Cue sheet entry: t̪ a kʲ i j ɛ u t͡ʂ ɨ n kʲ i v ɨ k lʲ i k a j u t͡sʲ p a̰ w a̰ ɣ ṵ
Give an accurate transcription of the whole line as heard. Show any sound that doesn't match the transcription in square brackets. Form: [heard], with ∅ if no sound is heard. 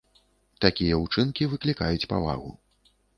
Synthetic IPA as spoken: t̪ a kʲ i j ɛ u t͡ʂ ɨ n kʲ i v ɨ k lʲ i k a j u t͡sʲ p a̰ [v] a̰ ɣ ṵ